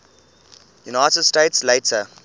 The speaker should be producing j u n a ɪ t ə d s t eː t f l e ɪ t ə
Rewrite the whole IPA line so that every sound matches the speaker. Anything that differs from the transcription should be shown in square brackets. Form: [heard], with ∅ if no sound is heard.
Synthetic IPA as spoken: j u n a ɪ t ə d s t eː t [s] l e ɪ t ə